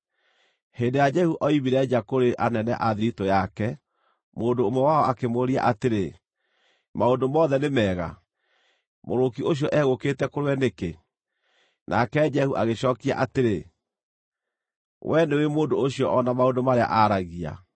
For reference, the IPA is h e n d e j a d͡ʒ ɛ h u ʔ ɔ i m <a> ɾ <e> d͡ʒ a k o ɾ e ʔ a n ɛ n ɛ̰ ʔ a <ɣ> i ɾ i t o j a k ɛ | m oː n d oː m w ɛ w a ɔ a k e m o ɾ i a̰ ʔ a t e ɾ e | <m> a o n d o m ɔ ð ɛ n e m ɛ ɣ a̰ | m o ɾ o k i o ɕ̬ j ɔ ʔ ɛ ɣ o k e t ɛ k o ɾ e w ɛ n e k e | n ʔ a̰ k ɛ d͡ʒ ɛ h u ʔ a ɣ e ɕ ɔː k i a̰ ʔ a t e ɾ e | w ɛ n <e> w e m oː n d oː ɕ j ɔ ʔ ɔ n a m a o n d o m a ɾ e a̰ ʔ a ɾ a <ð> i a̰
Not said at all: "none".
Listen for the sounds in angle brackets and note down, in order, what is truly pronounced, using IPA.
i, ɛ, ð, m, e, ɣ

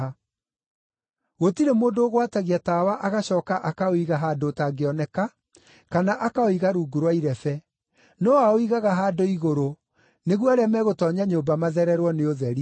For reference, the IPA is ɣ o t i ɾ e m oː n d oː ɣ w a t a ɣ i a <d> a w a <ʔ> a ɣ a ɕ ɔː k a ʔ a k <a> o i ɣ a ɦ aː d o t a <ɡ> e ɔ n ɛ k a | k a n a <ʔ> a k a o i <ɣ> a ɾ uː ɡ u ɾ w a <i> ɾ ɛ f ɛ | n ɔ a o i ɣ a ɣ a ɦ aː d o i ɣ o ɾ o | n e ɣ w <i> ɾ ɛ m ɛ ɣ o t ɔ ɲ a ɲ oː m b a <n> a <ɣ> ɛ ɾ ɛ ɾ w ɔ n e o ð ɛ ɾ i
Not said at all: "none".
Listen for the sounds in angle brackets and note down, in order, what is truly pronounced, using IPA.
t, ʔ, a, ɡ, ʔ, ɣ, i, a, m, ð

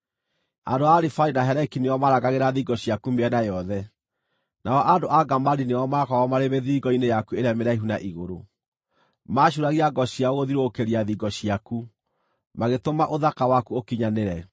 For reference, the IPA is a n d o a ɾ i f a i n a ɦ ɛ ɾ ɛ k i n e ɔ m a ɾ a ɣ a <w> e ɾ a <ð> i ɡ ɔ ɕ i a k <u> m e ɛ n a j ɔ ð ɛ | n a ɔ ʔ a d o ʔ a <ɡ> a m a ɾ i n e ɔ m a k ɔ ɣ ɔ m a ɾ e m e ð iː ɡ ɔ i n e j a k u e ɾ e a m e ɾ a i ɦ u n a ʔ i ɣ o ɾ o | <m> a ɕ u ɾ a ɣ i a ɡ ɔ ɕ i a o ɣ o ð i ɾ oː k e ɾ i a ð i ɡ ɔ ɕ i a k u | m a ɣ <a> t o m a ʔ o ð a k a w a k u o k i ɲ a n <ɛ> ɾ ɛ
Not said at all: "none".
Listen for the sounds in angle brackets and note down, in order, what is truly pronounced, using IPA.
ɣ, ð, u, ɡ, m, e, e

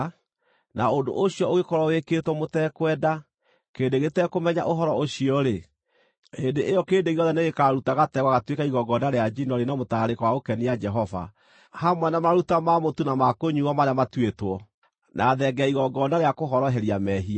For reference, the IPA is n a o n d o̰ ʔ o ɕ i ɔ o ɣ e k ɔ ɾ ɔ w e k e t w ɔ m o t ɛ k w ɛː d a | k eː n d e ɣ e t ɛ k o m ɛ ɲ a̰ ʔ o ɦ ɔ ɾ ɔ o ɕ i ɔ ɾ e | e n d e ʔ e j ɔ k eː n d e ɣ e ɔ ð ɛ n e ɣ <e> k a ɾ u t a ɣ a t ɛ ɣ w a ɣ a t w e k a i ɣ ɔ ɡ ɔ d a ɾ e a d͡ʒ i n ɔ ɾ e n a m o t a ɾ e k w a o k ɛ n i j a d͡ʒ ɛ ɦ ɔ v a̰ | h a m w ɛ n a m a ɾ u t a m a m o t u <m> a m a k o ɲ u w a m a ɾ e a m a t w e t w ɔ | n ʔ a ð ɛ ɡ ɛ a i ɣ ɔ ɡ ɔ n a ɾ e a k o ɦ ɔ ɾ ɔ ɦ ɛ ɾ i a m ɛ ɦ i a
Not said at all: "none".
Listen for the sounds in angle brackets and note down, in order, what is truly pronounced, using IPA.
e, n

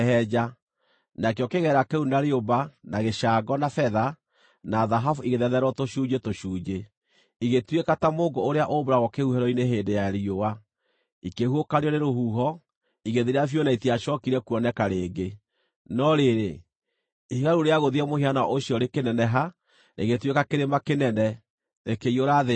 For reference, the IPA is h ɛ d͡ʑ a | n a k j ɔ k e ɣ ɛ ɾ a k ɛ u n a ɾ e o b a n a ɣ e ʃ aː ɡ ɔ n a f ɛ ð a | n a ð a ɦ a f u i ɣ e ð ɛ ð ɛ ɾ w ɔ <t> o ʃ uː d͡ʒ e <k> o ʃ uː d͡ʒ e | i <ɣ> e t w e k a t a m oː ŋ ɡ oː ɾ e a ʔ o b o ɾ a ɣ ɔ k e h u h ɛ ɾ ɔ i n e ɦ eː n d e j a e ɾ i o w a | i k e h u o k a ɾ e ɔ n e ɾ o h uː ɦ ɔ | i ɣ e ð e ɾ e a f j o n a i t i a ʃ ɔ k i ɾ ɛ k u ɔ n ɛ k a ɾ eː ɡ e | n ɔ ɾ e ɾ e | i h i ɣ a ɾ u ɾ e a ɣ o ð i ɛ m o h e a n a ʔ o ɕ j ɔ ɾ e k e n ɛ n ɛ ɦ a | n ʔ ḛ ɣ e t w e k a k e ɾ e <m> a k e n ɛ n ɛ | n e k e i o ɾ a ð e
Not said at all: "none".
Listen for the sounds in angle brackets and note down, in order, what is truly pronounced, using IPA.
t, t, ɣ, m

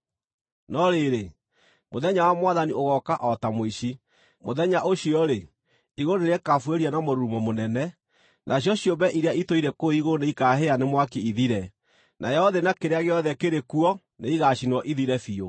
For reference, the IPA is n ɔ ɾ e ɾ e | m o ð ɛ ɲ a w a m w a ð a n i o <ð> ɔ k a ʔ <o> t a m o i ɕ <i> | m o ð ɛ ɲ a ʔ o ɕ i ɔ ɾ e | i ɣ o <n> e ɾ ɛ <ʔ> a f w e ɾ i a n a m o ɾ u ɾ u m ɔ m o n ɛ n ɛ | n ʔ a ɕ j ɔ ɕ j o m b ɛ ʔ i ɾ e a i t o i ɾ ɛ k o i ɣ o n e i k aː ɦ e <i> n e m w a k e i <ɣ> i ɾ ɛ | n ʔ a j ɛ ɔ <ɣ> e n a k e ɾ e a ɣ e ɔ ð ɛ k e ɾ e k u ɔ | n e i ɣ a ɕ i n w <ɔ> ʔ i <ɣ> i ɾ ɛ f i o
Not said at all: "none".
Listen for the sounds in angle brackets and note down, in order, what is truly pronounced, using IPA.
ɣ, ɔ, i, n, k, a, ð, ð, ɔ, ð

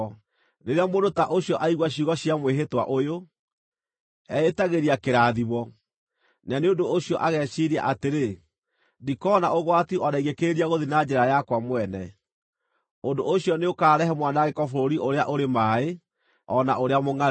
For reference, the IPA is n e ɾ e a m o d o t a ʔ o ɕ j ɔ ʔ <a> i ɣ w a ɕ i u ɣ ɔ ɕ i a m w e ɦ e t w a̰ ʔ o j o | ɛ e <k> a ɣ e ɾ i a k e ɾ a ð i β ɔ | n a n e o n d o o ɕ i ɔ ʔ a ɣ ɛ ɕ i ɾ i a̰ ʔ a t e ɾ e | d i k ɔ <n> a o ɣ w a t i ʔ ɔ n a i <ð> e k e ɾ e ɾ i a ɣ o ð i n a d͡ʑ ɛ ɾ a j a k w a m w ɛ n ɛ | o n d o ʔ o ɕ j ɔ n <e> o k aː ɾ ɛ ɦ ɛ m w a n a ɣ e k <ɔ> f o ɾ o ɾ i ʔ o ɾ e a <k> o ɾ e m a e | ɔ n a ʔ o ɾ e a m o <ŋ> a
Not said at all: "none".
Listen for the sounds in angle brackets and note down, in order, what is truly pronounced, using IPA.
a, t, n, ɣ, e, ɔ, ʔ, ŋ

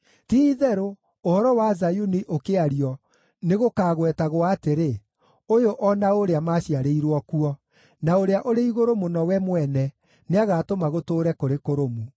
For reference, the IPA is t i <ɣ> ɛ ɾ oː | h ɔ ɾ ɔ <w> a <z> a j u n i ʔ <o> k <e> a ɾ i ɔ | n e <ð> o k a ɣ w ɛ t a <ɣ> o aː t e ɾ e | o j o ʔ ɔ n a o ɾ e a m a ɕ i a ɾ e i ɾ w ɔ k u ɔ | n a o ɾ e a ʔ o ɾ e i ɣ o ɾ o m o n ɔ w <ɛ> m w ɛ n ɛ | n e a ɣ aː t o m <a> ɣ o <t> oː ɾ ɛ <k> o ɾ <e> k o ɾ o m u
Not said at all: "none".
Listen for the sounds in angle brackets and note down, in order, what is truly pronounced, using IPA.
ð, w, z, o, e, ɣ, ɣ, ɛ, a, t, k, e

